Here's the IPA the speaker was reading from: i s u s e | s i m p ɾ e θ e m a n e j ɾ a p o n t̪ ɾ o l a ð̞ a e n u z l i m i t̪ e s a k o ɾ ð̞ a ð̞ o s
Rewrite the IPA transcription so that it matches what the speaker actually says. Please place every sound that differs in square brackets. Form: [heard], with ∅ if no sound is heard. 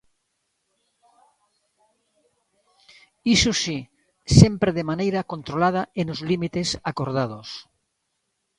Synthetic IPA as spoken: i s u s [i] | s [e] m p ɾ e [ð] e m a n e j ɾ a [k] o n t̪ ɾ o l a ð̞ a e n [o] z l i m i t̪ e s a k o ɾ ð̞ a ð̞ o s